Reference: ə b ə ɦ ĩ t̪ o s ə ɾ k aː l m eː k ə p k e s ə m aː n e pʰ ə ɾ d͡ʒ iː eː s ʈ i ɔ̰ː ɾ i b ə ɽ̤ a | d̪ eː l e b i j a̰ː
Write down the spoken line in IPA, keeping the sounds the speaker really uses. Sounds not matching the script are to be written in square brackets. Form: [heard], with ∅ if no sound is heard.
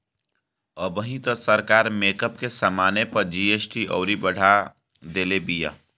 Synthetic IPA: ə b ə ɦ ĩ t̪ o s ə ɾ k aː [ɾ] m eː k ə p k e s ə m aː n e [p] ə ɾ d͡ʒ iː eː s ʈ i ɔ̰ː ɾ i b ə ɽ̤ a | d̪ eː l e b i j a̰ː

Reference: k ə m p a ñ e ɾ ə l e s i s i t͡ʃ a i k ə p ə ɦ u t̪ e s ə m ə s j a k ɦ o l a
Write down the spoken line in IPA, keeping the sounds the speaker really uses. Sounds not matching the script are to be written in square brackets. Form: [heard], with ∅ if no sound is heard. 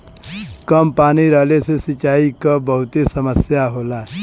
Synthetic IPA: k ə m p a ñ [i] ɾ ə l e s [e] s i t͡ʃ a i k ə [b] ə ɦ u t̪ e s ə m ə s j a [∅] ɦ o l a

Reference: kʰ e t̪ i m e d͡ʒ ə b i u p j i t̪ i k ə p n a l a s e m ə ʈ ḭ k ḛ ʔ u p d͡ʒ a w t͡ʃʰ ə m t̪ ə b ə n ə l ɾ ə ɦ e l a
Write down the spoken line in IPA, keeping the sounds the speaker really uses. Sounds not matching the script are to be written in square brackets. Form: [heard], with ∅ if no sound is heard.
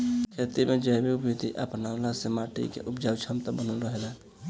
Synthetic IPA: kʰ e t̪ i m e d͡ʒ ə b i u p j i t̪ i [ʔ] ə p n a l a s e m [a] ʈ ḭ k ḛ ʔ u p d͡ʒ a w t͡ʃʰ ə m t̪ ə b ə n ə l ɾ ə ɦ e l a

